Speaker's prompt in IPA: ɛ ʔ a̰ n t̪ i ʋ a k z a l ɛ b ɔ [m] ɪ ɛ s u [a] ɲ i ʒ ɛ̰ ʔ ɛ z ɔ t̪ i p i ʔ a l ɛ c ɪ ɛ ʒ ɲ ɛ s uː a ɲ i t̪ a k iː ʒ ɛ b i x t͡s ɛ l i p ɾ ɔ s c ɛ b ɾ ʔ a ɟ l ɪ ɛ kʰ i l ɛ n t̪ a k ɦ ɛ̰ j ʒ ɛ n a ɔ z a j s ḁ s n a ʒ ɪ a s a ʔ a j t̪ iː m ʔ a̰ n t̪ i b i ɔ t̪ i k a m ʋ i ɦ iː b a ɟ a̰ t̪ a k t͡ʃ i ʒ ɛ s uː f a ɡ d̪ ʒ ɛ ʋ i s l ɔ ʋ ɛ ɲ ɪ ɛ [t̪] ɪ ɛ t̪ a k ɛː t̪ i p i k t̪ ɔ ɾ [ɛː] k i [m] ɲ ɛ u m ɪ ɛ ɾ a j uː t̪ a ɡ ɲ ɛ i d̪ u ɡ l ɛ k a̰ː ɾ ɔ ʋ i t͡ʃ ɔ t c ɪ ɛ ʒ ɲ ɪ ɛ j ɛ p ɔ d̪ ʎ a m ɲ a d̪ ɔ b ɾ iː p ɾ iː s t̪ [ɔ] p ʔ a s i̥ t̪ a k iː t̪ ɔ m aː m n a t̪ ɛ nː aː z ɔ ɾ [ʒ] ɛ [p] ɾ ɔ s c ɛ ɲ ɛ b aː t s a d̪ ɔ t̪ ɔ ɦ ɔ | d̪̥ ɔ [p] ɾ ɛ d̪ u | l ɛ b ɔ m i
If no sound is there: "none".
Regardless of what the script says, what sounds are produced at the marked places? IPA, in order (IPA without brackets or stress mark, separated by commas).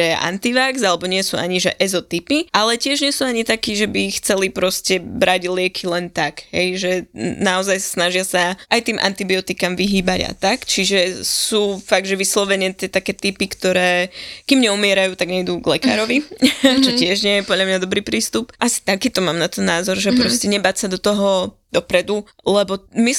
ɲ, a, t̪, ɛː, m, u, ʒ, p, p